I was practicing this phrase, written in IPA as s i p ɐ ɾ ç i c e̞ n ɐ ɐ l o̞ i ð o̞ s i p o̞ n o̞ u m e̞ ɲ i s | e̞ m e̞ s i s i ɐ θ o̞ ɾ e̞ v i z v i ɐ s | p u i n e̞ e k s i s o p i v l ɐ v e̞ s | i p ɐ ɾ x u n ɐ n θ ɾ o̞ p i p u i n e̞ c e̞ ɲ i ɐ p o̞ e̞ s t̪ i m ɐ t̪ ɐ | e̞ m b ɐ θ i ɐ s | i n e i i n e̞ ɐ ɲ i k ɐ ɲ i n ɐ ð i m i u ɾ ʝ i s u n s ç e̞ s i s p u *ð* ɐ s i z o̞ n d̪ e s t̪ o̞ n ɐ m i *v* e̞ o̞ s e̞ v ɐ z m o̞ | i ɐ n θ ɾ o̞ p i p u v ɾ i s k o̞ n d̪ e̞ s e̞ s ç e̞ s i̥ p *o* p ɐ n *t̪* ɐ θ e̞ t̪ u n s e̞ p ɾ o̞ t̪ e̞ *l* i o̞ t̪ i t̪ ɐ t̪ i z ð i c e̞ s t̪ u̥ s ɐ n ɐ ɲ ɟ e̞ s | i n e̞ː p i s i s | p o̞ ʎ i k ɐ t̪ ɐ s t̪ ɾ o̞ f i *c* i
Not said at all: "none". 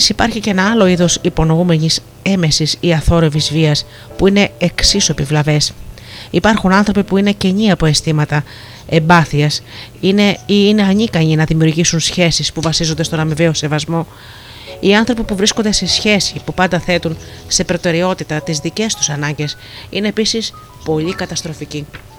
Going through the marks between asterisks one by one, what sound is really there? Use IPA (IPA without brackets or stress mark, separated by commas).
v, v, u, d̪, ɾ, c